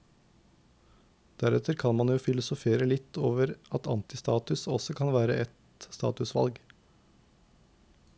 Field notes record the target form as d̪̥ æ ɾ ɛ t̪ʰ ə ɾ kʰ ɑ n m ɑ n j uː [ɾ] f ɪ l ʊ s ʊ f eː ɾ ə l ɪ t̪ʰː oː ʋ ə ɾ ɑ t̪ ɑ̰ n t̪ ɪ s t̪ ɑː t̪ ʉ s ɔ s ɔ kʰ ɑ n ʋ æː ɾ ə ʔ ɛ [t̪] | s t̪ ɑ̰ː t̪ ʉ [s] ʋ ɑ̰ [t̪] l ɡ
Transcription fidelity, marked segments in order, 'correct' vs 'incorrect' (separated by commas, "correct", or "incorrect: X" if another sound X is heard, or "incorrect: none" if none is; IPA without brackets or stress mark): incorrect: none, correct, correct, incorrect: none